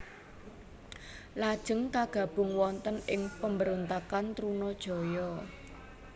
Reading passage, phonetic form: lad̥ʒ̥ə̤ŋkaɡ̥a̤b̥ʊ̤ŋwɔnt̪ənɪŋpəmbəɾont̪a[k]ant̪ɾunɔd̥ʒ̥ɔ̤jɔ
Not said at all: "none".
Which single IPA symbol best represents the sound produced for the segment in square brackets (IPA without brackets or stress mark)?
k